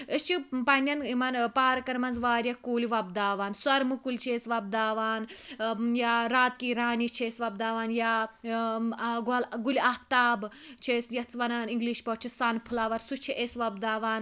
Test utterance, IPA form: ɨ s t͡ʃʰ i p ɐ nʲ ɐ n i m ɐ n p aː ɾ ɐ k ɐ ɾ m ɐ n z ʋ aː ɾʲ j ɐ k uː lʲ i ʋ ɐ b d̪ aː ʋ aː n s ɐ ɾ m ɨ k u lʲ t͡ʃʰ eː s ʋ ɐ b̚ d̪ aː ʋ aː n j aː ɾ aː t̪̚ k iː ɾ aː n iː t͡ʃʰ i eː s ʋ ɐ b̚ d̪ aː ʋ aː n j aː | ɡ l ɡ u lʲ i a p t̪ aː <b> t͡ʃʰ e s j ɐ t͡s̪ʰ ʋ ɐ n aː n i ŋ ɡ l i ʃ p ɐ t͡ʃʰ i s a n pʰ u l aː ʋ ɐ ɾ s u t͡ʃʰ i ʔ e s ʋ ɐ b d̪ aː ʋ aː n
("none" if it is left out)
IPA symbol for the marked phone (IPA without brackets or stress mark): b